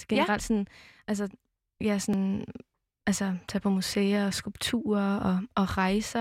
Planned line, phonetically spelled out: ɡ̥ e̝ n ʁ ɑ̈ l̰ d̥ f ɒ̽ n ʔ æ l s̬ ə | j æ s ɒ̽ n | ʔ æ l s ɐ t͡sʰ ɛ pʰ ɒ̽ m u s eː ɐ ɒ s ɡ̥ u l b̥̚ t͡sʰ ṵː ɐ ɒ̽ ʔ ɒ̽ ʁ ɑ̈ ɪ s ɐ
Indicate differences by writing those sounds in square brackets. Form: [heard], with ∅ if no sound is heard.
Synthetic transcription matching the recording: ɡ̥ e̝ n ʁ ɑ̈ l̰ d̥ [s] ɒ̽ n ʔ æ l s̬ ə | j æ s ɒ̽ n | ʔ æ l s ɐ t͡sʰ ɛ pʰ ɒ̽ m u s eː ɐ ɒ s ɡ̥ u l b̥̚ t͡sʰ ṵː ɐ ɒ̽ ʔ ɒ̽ ʁ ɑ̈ ɪ s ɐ